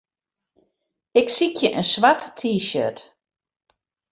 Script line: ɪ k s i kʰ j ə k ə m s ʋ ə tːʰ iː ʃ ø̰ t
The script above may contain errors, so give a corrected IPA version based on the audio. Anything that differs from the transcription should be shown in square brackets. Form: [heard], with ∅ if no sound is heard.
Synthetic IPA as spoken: ɪ k s i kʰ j ə [ʔ] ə [n] s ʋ [a] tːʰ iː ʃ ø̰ t